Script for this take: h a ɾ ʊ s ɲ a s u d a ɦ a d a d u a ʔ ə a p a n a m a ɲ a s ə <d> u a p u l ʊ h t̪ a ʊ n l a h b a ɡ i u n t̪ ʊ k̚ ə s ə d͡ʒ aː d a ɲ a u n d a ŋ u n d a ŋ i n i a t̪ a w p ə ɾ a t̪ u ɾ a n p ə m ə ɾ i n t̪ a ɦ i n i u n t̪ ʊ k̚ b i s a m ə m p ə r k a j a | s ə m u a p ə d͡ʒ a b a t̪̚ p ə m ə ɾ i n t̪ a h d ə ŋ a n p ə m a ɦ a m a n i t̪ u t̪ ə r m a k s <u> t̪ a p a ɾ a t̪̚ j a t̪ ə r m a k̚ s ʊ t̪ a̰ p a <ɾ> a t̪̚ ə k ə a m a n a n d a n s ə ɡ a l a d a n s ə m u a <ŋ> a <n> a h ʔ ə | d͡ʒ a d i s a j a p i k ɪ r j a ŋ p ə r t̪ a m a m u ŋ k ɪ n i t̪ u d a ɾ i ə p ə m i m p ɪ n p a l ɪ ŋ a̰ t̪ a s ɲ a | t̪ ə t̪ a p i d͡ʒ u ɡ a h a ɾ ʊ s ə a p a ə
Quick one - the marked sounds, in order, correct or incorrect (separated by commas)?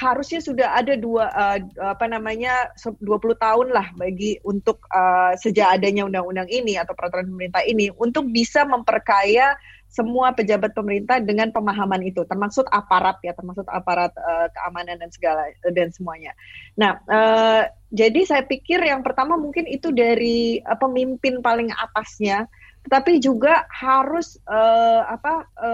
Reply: correct, incorrect, correct, incorrect, correct